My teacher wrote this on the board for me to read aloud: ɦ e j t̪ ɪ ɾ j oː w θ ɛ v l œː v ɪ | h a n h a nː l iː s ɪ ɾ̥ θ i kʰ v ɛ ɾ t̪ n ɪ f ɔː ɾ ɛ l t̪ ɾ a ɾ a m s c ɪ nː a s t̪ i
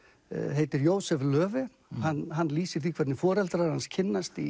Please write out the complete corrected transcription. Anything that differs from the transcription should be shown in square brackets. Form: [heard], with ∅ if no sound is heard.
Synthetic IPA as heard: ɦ e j t̪ ɪ ɾ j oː w [s] ɛ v l œː v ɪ | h a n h a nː l iː s ɪ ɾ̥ θ i kʰ v ɛ ɾ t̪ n ɪ f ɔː ɾ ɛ l t̪ ɾ a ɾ a [n] s [cʰ] ɪ nː a s t̪ i